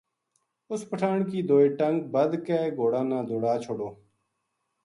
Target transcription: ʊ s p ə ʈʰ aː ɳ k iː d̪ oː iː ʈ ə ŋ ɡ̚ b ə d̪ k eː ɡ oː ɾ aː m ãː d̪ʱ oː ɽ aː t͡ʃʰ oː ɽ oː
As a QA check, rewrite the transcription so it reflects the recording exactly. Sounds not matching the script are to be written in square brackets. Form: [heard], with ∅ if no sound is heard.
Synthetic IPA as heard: ʊ s p ə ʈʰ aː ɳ k iː d̪ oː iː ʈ ə ŋ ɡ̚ b ə d̪ k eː ɡ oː [ɽ] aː [n] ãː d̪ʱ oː ɽ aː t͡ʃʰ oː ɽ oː